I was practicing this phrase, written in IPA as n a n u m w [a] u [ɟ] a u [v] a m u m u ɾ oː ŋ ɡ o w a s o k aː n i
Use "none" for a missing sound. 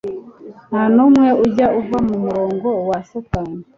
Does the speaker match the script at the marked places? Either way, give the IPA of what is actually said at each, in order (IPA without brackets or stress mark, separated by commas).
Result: e, ɟ, v